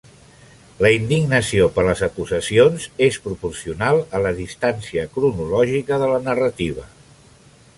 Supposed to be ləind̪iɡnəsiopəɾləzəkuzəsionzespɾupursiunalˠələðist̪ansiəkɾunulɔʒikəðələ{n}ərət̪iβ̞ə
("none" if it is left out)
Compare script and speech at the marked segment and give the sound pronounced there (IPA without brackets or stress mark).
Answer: n